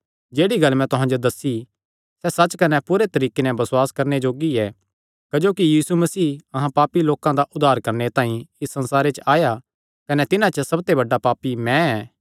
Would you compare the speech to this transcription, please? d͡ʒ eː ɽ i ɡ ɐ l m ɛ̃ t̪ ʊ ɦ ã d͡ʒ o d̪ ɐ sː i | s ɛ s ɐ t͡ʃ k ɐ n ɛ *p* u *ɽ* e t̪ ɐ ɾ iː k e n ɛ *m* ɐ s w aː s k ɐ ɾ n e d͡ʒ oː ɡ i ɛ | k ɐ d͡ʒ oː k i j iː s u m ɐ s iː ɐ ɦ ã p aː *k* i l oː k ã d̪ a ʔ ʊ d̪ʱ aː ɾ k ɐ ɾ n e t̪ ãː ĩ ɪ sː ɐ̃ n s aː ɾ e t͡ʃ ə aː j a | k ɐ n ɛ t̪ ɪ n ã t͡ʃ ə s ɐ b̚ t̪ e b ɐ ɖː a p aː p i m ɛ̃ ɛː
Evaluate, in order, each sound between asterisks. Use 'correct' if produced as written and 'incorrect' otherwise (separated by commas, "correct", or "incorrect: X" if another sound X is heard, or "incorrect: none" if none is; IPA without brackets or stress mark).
correct, incorrect: ɾ, incorrect: b, incorrect: p